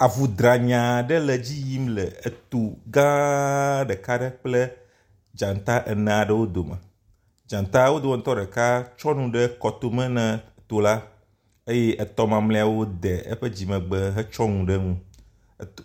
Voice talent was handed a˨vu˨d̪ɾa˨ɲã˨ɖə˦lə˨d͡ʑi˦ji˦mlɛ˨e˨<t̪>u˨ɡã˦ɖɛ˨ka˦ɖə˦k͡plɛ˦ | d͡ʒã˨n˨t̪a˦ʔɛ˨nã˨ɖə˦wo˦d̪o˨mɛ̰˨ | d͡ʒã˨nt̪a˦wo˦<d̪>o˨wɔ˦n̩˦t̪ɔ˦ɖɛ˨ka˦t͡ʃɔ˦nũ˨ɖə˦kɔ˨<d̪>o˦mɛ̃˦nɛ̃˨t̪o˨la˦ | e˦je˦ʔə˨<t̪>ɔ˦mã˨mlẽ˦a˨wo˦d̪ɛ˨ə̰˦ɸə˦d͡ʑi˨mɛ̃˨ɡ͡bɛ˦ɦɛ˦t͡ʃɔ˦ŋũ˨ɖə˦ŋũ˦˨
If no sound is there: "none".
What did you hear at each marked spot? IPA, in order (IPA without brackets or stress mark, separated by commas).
t̪, d̪, t̪, t̪